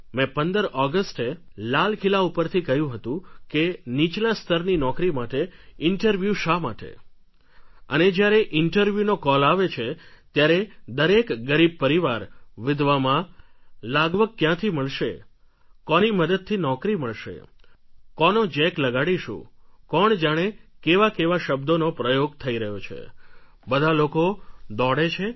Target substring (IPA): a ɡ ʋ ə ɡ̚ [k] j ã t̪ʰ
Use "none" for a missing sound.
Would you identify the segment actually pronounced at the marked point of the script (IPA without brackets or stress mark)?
k